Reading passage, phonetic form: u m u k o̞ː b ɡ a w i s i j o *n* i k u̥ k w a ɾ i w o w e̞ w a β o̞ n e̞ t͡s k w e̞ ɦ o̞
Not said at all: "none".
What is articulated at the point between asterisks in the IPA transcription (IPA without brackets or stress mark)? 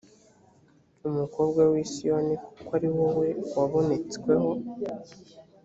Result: n